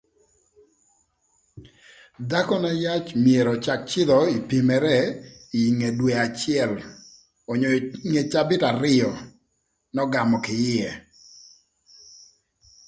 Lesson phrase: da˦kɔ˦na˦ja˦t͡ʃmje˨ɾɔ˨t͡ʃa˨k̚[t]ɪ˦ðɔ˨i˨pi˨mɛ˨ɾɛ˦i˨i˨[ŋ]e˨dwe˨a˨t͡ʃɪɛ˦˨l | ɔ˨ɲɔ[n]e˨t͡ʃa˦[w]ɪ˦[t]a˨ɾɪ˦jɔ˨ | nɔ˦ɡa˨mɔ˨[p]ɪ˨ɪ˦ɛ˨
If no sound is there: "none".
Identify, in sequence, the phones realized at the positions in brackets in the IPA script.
t͡ʃ, ŋ, ŋ, b, t, k

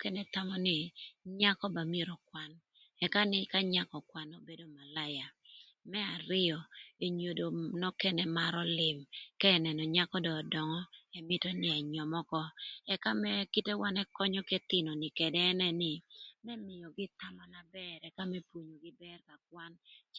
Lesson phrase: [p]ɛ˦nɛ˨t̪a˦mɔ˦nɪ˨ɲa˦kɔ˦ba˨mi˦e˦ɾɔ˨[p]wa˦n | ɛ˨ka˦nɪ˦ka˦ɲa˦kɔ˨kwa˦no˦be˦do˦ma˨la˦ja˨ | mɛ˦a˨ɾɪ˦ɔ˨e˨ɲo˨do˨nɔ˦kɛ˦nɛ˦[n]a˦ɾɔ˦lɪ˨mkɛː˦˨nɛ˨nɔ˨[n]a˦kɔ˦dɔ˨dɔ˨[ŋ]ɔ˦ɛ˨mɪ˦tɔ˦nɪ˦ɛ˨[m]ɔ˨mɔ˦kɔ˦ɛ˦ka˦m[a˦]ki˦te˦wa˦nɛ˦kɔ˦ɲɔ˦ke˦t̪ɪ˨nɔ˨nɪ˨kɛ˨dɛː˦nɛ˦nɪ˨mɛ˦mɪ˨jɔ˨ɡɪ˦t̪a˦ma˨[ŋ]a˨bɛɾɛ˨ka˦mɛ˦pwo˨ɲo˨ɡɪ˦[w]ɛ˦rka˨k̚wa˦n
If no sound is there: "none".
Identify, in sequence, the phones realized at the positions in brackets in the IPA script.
k, k, m, ɲ, ŋ, ɲ, ɛ˦, n, b

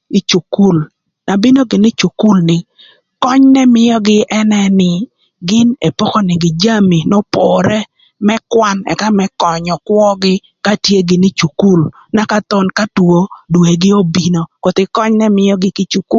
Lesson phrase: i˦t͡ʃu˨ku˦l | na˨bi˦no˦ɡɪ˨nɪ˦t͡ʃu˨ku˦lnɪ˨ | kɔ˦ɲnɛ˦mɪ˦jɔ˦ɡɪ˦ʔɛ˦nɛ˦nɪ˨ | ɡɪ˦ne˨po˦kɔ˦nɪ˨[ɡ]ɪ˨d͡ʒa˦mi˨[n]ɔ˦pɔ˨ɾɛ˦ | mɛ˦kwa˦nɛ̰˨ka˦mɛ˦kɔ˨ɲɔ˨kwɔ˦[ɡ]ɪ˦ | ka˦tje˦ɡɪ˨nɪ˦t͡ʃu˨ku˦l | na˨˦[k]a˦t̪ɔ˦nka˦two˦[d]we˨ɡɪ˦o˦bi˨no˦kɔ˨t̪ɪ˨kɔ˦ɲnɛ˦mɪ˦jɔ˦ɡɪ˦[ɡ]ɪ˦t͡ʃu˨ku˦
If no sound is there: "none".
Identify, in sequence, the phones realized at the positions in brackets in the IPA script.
ɡ, n, ɡ, k, d, k

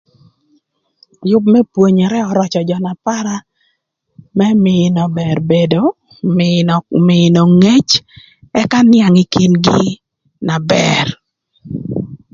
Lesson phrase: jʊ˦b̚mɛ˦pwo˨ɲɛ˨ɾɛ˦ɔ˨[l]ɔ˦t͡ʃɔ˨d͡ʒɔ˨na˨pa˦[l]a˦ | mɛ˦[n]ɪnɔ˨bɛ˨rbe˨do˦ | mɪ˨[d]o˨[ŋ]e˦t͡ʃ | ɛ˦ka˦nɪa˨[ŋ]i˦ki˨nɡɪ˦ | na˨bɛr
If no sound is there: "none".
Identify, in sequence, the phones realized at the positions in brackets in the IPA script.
ɾ, ɾ, m, n, ŋ, ŋ

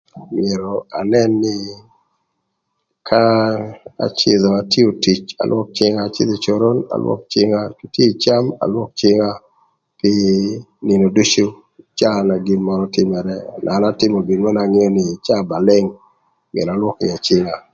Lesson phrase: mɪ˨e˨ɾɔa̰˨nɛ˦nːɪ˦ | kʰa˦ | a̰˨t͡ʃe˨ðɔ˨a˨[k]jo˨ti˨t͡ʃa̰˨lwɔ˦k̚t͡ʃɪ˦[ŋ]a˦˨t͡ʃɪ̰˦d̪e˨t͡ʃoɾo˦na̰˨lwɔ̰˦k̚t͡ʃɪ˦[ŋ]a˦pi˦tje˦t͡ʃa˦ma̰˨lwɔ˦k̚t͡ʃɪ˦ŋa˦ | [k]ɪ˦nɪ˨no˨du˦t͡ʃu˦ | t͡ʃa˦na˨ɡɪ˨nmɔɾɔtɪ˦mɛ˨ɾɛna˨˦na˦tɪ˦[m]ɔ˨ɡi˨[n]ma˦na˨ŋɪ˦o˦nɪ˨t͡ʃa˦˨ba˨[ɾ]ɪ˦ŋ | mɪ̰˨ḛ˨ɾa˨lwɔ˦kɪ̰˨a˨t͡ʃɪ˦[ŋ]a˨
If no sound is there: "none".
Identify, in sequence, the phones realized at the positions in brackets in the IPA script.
t, ŋ, ŋ, p, m, n, l, ŋ

